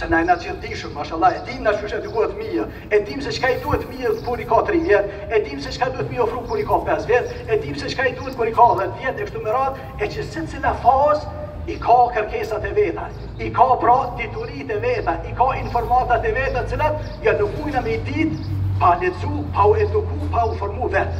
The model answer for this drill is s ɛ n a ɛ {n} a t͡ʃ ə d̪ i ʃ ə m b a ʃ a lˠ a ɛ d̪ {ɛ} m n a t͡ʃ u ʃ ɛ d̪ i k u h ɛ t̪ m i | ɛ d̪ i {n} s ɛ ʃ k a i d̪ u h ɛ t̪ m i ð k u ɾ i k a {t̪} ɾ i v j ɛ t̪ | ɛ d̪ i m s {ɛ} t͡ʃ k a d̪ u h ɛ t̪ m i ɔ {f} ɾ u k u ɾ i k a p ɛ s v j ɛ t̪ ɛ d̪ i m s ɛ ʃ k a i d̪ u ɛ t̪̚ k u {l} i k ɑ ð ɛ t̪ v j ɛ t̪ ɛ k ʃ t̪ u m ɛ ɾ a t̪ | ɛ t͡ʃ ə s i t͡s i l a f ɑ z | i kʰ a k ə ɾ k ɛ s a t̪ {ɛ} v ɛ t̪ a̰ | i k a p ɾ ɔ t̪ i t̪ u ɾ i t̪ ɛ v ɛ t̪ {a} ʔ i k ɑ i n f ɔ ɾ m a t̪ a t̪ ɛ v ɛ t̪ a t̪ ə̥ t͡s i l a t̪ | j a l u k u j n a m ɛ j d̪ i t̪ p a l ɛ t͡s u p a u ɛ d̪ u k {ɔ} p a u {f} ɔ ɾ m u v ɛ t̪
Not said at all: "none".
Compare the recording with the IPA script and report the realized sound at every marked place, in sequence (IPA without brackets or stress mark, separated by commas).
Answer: n, i, m, t̪, ɛ, f, ɾ, ɛ, a, u, f